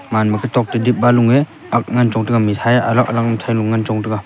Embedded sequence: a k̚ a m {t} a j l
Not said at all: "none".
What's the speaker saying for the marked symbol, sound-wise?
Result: tʰ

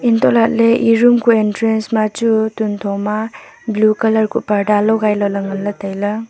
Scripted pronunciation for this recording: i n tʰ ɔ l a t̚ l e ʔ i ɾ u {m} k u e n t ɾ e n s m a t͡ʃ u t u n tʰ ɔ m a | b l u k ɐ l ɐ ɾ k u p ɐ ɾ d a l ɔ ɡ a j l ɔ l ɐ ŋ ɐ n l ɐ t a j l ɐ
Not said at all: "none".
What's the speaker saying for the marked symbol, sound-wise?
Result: m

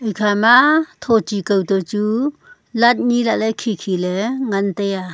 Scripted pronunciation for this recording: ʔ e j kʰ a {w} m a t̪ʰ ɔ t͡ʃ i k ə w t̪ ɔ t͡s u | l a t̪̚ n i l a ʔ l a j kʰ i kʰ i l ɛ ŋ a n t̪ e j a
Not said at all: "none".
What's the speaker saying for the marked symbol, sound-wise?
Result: none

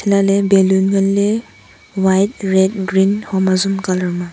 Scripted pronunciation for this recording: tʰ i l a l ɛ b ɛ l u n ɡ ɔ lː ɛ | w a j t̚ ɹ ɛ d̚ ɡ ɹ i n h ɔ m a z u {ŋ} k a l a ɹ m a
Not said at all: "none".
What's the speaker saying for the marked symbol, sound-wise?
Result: m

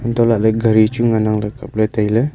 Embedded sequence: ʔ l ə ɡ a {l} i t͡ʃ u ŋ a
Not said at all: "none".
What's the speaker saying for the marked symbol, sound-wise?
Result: ɾ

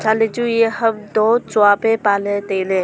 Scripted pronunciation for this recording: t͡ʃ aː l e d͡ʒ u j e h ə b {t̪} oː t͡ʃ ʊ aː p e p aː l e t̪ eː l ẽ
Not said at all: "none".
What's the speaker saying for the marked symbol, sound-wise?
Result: d̪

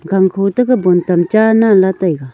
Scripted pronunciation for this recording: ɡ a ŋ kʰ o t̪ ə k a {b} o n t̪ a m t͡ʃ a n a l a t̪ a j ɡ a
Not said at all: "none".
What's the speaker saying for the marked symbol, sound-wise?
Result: b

